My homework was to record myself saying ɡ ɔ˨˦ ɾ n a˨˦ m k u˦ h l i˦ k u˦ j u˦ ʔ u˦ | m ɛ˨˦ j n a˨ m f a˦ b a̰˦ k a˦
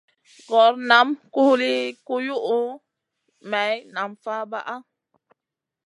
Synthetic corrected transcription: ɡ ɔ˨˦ ɾ n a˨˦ m k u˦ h l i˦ k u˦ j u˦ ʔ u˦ | m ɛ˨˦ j n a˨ m f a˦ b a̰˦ ʔ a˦